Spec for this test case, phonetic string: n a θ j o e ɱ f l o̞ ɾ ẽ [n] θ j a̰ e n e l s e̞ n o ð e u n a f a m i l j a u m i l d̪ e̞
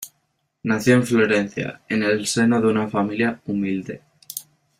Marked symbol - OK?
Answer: yes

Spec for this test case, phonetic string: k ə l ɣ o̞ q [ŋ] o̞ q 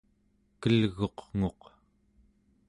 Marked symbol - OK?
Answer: yes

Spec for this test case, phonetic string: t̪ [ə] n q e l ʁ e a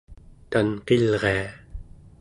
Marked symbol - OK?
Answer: no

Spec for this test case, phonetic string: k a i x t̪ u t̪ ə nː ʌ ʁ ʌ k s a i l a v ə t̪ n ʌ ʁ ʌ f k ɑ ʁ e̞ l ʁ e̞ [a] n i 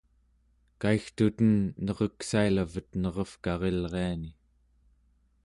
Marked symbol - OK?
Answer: yes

